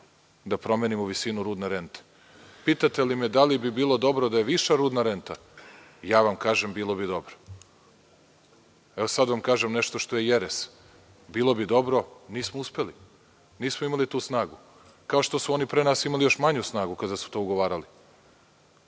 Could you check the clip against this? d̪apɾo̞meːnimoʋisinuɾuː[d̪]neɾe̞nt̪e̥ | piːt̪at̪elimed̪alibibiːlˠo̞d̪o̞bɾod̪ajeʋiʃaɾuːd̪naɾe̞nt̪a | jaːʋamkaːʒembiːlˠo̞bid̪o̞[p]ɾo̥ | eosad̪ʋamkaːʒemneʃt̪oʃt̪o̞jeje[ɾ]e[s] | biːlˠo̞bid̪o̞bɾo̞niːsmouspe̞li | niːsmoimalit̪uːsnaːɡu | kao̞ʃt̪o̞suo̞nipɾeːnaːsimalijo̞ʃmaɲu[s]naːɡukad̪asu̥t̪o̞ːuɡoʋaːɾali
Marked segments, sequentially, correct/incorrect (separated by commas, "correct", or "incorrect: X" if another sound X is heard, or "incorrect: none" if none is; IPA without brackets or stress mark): correct, incorrect: b, correct, correct, correct